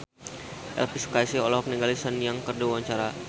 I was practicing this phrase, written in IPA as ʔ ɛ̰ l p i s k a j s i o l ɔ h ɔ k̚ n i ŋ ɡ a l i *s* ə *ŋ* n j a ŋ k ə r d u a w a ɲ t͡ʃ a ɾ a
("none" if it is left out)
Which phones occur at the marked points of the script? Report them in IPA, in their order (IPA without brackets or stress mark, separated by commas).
s, none